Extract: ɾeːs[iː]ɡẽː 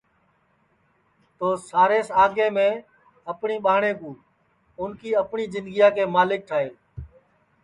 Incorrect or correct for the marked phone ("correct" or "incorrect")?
incorrect